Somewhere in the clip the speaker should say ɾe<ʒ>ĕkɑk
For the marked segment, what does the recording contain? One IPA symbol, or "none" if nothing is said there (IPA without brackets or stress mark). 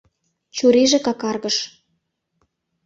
ʒ